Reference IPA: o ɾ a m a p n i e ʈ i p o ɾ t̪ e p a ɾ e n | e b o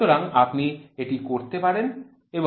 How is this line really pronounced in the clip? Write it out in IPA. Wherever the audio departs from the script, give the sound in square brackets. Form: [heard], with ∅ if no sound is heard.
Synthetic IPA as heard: o ɾ a [ŋ] a p n i e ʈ i [k] o ɾ t̪ e p a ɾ e n | e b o